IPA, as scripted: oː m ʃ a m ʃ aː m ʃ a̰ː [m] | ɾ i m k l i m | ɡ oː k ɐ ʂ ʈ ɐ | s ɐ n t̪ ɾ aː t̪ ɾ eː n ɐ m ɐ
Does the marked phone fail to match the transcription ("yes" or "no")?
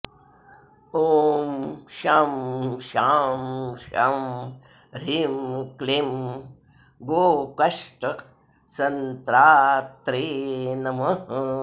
no